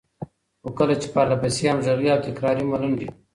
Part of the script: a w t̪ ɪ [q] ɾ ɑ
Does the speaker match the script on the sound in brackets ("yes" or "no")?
no